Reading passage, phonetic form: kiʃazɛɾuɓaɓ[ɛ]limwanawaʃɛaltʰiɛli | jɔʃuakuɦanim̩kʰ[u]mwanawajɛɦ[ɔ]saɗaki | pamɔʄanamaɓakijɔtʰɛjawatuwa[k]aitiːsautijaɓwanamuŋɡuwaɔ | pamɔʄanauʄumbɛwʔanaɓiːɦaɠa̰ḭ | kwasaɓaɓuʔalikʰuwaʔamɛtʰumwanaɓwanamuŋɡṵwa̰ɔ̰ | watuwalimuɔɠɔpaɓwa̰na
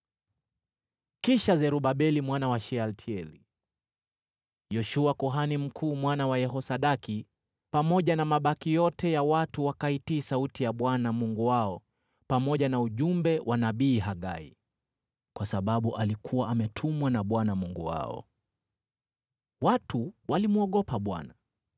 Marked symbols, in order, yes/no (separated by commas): yes, no, yes, yes